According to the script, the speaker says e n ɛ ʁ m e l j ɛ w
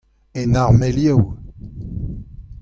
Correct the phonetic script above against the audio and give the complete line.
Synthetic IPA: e n a ʁ m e l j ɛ w